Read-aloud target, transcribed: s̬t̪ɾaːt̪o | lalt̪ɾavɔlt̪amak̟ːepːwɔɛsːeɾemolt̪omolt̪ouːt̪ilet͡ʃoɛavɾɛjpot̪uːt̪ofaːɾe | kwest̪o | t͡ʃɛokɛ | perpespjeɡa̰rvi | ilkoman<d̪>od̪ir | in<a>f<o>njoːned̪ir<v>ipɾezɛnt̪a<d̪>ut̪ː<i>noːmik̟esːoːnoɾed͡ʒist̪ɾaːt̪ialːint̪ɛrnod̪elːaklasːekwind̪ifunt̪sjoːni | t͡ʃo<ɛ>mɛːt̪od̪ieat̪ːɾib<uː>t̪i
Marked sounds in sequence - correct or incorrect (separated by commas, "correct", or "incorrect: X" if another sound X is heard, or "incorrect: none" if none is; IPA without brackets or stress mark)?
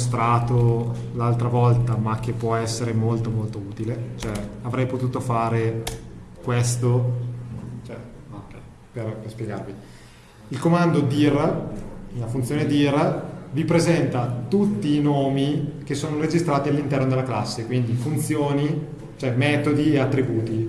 correct, correct, incorrect: u, correct, incorrect: t̪, incorrect: iː, correct, correct